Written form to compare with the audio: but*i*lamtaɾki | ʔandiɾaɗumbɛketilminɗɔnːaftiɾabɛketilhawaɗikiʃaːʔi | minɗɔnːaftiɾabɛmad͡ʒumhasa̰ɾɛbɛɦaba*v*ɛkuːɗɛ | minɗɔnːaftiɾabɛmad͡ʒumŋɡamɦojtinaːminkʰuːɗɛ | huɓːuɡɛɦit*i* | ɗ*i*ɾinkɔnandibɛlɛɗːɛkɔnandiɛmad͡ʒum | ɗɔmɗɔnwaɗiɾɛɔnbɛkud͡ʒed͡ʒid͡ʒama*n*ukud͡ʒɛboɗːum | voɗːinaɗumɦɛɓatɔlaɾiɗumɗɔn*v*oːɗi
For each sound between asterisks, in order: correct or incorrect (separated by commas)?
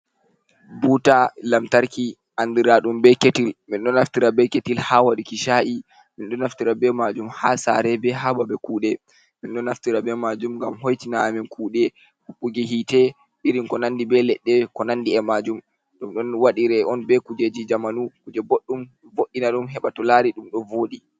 incorrect, incorrect, incorrect, correct, correct, correct